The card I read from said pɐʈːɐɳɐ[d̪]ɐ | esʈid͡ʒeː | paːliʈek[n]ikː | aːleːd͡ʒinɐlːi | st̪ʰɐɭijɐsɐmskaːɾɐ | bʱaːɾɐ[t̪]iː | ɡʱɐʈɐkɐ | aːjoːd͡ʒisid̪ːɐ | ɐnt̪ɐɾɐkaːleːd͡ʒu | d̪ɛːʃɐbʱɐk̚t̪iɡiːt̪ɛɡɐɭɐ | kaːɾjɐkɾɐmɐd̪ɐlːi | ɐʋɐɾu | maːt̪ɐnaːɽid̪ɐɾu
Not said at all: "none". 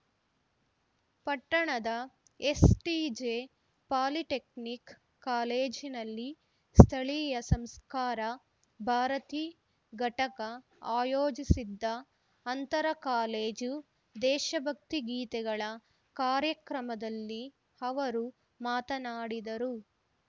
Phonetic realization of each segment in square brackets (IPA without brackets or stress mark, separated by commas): d̪, n, t̪